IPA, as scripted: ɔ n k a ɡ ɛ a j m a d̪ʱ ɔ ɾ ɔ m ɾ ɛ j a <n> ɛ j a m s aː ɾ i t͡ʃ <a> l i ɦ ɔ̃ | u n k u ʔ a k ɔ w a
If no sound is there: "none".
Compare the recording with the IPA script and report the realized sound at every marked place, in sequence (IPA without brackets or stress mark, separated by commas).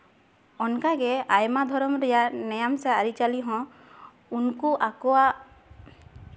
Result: n, a